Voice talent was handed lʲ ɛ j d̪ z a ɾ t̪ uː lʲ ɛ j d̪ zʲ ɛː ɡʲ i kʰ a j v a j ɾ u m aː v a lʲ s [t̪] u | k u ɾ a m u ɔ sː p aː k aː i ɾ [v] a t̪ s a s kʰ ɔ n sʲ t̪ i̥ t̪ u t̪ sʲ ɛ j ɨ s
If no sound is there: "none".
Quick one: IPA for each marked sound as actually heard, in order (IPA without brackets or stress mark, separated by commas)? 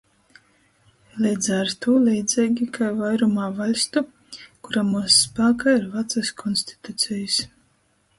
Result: t̪, v